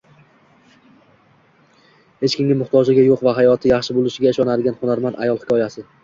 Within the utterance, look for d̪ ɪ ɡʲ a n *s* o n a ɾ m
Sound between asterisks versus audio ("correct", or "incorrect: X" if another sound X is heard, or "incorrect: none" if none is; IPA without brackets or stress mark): incorrect: χ